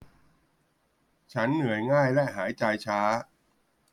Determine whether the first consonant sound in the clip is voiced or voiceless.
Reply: voiceless